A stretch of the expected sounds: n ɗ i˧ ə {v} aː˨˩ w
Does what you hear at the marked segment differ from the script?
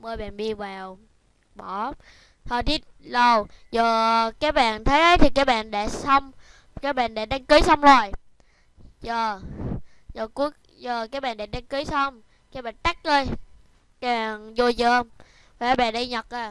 no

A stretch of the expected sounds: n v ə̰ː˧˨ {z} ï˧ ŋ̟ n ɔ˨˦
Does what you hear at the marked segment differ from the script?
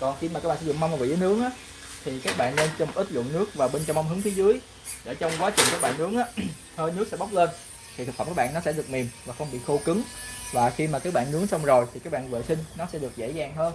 yes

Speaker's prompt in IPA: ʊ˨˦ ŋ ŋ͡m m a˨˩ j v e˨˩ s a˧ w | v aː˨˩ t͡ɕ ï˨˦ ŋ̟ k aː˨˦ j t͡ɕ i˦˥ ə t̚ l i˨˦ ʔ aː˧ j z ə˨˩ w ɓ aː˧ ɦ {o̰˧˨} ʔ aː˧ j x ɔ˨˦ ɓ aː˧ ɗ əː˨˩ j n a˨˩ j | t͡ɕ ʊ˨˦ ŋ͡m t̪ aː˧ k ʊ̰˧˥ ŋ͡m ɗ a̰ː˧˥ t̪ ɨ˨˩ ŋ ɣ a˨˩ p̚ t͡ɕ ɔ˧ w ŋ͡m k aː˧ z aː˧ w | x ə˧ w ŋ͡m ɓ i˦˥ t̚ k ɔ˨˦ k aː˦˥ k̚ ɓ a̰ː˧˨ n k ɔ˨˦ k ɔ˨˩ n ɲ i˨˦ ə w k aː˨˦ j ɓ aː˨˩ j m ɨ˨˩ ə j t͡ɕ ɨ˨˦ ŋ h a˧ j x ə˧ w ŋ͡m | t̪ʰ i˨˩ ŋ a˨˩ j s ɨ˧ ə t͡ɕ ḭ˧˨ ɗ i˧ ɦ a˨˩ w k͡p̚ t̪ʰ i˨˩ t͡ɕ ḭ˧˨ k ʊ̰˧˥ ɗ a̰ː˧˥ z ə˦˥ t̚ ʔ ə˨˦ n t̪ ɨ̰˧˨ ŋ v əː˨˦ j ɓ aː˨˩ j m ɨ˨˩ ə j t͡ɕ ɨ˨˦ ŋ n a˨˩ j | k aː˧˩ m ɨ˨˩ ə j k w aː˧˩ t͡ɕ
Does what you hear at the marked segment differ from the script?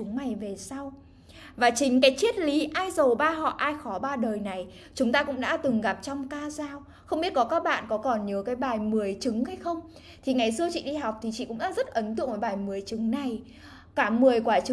yes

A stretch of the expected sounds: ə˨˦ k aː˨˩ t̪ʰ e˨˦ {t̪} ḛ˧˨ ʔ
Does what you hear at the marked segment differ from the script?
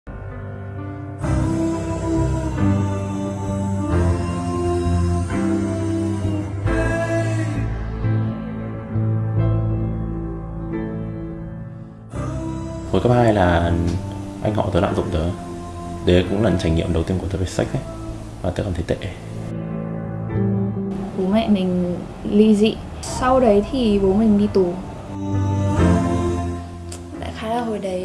no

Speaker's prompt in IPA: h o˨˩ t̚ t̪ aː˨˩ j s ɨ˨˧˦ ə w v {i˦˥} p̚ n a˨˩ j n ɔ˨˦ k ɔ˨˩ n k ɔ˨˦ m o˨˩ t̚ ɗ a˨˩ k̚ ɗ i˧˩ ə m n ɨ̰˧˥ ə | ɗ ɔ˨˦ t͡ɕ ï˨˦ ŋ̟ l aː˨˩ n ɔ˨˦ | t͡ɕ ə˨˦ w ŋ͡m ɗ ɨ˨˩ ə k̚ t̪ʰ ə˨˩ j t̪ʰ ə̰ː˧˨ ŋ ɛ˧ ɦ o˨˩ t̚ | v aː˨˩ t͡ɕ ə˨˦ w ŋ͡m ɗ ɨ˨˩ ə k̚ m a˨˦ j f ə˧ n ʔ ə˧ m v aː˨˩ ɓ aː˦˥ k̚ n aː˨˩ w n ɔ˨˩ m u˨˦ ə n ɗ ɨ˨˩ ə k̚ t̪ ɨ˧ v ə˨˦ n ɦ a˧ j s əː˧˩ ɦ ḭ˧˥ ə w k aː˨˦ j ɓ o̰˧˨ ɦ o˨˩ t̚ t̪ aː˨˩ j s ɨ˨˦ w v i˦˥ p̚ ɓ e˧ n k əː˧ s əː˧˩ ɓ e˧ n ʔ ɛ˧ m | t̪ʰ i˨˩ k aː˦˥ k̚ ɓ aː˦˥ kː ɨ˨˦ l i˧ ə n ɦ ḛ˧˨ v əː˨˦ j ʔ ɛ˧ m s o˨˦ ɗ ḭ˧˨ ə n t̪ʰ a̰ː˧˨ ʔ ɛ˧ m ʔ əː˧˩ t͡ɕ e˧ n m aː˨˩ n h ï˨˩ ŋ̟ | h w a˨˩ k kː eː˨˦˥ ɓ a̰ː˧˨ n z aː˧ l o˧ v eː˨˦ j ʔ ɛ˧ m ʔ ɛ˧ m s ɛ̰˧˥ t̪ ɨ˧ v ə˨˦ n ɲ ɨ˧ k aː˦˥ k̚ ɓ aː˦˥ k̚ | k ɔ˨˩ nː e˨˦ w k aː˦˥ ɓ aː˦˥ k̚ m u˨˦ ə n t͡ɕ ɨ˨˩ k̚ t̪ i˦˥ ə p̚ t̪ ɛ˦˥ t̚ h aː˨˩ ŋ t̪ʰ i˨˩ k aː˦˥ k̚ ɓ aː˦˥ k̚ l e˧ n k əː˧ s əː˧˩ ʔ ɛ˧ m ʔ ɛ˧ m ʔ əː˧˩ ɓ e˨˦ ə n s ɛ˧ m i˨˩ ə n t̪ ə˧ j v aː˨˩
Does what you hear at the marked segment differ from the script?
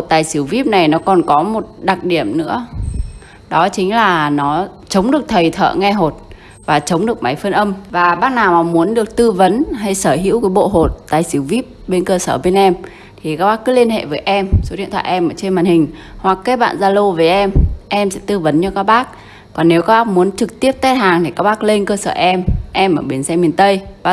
no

